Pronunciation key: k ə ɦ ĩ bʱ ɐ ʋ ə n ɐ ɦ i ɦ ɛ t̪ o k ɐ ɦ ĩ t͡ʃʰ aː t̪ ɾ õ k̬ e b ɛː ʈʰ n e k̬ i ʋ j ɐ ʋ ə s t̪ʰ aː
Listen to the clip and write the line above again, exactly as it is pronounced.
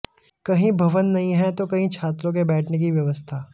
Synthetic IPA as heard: k ɐ ɦ ĩ bʱ ɐ ʋ ə nː ɐ ɦ ĩ ɦ ɛ t̪ o k ɐ ɦ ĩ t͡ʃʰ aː t̪ ɾ õ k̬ e b ɛː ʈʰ n e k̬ i ʋ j ɐ ʋ ə s t̪ʰ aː